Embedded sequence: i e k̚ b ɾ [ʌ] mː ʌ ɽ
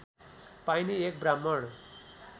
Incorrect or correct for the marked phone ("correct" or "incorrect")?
incorrect